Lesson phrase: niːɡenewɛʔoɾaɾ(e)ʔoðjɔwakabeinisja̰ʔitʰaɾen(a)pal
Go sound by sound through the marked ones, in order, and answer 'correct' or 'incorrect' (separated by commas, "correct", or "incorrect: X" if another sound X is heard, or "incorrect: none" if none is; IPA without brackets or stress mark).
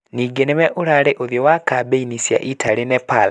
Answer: correct, incorrect: ɛ